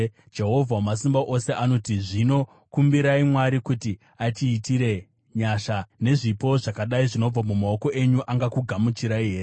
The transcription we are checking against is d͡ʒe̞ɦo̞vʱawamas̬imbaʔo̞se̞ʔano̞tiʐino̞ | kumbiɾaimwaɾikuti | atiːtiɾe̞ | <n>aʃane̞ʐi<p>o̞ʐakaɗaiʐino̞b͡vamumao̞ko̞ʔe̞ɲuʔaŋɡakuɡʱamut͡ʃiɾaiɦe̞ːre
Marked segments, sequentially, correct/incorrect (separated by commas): incorrect, correct